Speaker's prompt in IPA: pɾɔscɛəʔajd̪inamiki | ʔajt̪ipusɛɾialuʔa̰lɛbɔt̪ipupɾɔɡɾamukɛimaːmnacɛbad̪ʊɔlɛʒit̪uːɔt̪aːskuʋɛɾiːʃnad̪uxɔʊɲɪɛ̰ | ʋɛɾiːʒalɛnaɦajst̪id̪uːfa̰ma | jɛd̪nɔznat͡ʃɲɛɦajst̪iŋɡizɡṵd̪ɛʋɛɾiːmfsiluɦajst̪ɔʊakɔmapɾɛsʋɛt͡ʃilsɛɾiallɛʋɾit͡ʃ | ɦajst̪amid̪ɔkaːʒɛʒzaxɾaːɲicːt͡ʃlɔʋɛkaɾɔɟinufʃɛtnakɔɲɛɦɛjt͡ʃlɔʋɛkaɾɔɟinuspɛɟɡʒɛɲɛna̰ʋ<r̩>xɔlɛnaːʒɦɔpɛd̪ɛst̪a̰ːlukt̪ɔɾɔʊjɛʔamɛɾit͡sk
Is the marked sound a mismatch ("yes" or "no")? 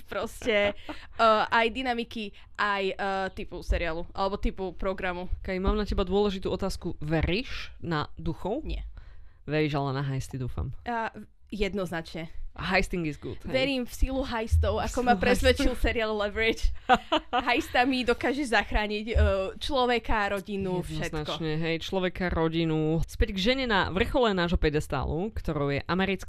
no